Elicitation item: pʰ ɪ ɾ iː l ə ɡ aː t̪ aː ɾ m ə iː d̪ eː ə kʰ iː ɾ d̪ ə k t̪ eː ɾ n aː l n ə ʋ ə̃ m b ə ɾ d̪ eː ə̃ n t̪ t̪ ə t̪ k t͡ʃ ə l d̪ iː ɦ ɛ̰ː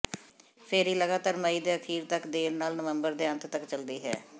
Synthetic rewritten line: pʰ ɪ ɾ iː l ə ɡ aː t̪ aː ɾ m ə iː d̪ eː ə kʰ iː ɾ t̪ ə k d̪ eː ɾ n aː l n ə ʋ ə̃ m b ə ɾ d̪ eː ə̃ n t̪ t̪ ə k t͡ʃ ə l d̪ iː ɦ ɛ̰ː